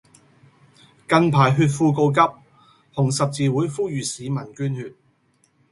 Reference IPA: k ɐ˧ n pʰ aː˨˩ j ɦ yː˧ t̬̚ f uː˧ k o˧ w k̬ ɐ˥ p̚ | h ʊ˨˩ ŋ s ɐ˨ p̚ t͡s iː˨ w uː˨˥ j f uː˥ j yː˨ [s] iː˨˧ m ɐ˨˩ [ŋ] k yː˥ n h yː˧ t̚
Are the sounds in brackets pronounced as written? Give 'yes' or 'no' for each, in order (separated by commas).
yes, no